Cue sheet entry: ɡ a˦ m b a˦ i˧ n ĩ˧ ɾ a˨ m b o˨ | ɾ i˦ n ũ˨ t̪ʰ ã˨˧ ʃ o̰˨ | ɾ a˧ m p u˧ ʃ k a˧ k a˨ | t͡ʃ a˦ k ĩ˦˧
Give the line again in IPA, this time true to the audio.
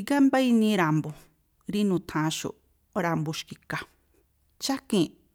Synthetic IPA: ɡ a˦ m b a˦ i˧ n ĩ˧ ɾ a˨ m b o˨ | ɾ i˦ n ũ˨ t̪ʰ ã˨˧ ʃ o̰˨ | ɾ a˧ m b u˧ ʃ k i˧ k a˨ | t͡ʃ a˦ k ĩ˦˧